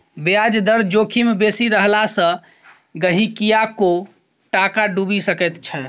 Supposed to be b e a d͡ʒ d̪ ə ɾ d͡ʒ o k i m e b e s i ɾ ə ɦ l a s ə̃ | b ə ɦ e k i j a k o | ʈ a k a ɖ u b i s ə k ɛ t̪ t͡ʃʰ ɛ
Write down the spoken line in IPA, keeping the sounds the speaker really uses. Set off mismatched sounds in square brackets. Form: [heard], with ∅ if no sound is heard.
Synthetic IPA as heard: b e a d͡ʒ d̪ ə ɾ d͡ʒ o [kʰ] i m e b e s i ɾ ə ɦ l a s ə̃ | [ɡ] ə ɦ [i] k i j a k o | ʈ a k a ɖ u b i s ə k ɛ t̪ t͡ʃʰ ɛ